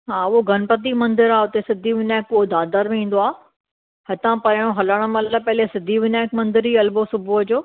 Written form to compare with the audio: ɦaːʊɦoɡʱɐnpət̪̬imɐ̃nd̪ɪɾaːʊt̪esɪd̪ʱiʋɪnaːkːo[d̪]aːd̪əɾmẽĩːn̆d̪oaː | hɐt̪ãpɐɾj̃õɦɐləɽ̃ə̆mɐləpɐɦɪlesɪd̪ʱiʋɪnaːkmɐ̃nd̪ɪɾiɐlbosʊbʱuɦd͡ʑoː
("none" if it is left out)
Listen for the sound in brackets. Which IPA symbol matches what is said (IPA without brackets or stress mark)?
d̪